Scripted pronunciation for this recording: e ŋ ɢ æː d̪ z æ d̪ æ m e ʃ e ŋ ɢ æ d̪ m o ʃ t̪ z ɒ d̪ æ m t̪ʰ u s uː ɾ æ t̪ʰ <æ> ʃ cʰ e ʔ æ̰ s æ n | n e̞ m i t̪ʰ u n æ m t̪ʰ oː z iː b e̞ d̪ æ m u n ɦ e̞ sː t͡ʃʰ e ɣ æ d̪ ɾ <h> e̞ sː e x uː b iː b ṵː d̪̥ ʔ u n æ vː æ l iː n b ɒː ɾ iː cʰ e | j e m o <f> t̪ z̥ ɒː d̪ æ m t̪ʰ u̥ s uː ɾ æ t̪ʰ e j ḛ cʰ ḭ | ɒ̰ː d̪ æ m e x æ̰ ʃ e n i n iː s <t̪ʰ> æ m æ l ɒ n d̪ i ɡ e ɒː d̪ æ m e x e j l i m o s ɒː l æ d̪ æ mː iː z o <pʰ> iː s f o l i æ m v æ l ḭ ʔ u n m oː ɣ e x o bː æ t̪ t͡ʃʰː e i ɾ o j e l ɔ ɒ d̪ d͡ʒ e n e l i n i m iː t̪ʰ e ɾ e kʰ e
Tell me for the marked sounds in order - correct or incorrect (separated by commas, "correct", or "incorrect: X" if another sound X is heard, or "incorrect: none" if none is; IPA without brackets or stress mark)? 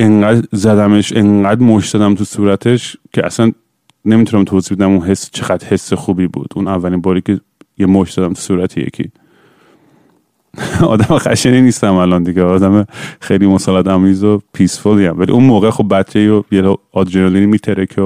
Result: incorrect: e, correct, incorrect: ʃ, incorrect: t̪, correct